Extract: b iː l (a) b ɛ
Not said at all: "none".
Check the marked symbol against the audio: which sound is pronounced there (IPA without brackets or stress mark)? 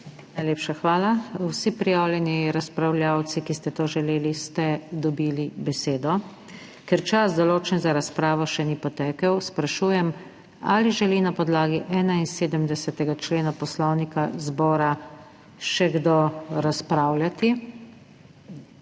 i